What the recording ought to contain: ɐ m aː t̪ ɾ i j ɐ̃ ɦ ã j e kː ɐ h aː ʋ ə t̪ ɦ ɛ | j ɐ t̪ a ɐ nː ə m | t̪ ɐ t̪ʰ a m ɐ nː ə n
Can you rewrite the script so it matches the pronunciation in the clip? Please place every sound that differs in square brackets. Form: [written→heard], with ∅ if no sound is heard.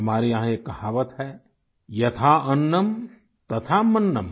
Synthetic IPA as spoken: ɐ m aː [t̪→∅] ɾ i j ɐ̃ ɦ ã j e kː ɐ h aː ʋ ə t̪ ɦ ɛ | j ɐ [t̪→t̪ʰ] a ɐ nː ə m | t̪ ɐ t̪ʰ a m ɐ nː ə [n→m]